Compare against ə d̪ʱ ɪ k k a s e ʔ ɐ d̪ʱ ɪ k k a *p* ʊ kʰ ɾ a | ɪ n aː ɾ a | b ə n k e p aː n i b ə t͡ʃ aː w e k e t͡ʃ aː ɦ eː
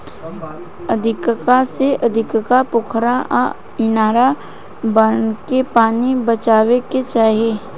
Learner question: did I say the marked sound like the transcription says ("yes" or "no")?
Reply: yes